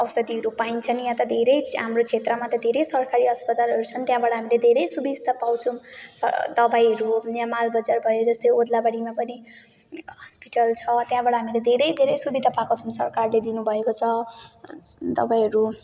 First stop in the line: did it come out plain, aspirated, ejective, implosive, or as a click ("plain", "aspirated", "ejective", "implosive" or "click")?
plain